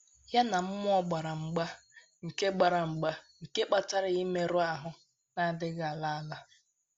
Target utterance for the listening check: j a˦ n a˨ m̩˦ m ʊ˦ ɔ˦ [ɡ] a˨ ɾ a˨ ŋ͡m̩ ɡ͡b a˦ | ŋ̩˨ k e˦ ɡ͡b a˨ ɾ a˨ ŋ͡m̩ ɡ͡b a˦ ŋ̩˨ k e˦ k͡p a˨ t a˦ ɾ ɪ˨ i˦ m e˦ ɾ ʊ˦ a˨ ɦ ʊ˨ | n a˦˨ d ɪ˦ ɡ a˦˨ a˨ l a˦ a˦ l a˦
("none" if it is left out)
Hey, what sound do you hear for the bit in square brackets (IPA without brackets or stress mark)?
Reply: ɡ͡b